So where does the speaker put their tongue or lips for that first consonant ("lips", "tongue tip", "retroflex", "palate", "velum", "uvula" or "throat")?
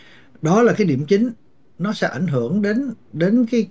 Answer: tongue tip